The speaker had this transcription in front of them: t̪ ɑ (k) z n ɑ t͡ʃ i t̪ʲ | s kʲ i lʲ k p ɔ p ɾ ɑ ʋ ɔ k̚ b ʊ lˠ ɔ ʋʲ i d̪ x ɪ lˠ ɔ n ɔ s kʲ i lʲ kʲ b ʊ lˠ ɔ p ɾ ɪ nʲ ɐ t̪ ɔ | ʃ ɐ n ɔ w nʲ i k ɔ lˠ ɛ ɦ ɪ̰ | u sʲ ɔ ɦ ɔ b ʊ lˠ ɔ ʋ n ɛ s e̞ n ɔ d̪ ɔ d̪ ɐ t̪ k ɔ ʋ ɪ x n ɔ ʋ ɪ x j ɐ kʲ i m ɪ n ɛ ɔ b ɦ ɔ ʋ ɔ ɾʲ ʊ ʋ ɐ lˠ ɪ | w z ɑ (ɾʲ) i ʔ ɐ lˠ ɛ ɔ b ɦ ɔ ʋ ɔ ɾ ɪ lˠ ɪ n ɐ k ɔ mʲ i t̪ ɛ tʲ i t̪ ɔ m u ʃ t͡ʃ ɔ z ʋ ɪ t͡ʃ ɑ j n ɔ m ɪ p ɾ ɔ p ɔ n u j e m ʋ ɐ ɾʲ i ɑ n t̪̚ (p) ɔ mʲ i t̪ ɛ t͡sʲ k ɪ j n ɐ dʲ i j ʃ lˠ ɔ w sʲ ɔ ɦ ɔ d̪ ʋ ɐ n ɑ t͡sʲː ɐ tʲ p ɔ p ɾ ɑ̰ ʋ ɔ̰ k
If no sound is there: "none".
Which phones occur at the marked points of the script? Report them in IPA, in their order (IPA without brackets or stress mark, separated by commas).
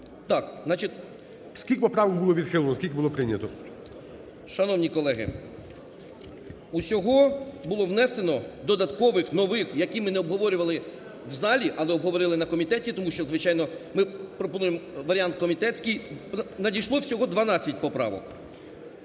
k, lʲ, k